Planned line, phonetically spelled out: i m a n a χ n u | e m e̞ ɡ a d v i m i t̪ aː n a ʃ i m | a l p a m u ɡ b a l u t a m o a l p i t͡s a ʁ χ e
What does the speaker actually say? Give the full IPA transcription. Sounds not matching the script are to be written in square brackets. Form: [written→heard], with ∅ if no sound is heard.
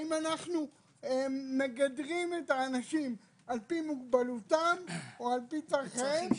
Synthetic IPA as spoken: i m a n a χ n u | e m e̞ ɡ a d [v→ʁ] i m [i→e] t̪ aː n a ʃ i m | a l p [a→i] m u ɡ b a l u t a m o a l p i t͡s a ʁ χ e